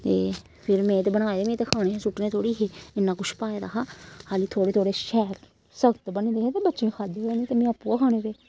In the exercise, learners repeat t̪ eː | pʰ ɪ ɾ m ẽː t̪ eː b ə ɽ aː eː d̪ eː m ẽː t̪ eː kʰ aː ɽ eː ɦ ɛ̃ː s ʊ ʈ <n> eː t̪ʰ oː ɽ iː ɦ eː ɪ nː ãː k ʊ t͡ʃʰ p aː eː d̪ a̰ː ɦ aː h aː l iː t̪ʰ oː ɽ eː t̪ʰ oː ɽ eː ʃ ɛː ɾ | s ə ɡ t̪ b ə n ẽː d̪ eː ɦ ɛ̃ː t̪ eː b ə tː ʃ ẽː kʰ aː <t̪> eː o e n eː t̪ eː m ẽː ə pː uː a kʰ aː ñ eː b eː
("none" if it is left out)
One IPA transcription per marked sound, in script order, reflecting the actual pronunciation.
n, d̪

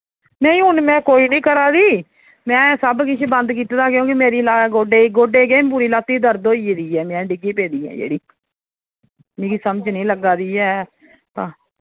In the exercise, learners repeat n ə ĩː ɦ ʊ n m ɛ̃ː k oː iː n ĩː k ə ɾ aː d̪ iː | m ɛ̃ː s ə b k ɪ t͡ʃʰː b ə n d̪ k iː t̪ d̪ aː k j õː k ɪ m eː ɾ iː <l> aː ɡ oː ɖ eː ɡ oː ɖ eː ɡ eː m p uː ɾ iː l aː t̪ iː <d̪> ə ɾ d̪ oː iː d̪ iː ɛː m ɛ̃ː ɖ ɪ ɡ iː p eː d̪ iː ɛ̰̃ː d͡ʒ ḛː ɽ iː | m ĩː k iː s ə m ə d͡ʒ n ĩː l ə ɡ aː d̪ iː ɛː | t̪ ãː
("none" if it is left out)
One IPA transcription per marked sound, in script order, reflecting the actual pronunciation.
l, d̪

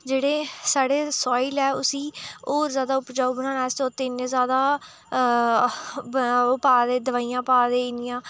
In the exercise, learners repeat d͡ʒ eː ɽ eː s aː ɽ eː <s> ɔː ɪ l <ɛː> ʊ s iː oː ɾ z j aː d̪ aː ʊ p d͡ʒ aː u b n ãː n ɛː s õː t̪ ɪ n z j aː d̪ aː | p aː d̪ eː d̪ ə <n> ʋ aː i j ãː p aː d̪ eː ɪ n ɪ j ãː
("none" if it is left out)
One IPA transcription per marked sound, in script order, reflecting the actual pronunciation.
s, ɛː, none

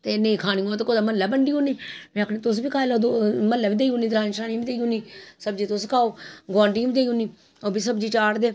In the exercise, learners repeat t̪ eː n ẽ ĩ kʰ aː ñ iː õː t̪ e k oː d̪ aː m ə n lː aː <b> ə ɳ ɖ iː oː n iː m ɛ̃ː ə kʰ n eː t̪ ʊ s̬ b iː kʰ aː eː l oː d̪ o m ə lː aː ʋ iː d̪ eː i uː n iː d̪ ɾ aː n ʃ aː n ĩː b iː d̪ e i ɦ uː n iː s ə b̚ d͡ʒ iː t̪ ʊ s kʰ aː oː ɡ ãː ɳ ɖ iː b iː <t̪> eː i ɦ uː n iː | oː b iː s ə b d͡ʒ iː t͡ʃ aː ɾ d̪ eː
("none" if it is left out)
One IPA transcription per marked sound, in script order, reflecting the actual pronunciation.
b, d̪

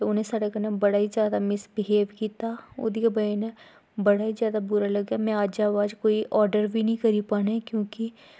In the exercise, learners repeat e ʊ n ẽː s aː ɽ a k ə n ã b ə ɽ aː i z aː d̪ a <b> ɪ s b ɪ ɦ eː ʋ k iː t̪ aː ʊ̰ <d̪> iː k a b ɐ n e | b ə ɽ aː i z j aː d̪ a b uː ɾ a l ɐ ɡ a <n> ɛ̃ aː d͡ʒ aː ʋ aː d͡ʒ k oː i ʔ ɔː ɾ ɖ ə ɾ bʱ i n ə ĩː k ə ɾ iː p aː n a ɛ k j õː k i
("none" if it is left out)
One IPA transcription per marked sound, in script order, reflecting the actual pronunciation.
m, d̪, m

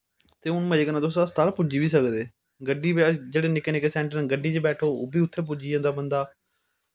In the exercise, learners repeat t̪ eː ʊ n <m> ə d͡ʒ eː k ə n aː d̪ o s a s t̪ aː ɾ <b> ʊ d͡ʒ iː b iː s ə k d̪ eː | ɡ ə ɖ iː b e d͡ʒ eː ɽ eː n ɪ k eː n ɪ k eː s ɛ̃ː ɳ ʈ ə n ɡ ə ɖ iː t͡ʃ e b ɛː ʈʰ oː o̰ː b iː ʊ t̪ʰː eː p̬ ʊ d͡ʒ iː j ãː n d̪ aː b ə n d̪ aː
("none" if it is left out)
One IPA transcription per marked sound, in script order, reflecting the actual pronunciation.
m, p

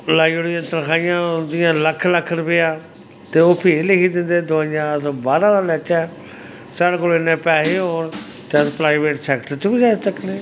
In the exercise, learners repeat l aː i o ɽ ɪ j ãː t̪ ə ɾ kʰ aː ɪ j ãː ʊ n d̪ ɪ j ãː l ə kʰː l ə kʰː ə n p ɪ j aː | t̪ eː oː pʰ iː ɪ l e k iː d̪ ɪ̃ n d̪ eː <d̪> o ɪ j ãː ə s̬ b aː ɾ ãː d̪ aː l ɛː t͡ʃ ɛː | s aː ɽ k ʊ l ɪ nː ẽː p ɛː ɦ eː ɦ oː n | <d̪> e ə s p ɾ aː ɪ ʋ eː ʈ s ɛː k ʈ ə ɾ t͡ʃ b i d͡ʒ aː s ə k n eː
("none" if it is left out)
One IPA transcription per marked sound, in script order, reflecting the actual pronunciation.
d̪, t̪

